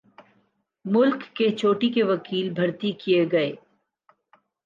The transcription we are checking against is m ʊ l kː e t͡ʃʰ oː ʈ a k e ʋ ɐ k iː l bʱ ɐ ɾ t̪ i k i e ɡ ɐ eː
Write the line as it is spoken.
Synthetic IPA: m ʊ l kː e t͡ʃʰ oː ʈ i k e ʋ ɐ k iː l bʱ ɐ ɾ t̪ i k i e ɡ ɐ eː